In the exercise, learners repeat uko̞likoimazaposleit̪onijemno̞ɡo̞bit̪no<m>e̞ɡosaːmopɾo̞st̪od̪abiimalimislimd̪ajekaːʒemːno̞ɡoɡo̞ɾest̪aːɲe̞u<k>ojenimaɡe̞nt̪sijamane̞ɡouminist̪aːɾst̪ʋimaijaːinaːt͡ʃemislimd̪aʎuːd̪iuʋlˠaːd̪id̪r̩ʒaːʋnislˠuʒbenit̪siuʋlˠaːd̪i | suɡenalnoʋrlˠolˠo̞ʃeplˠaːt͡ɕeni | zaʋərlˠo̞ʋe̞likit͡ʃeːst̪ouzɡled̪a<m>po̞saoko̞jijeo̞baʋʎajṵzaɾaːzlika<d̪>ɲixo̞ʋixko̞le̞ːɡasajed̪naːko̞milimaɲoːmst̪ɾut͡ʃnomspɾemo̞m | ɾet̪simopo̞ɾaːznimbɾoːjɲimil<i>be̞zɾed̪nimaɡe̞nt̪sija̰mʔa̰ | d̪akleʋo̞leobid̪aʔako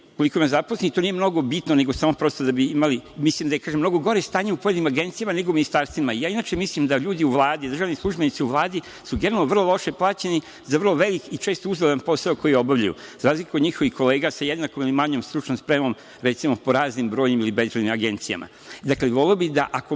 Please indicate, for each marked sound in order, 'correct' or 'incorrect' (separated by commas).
incorrect, incorrect, incorrect, correct, correct